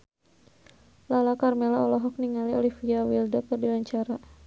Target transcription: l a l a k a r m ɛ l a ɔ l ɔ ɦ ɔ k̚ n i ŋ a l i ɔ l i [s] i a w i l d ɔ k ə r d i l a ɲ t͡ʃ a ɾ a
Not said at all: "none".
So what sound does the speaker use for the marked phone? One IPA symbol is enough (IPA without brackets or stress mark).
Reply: f